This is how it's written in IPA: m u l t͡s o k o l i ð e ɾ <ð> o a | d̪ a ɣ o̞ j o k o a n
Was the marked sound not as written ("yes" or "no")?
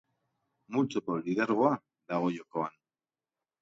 yes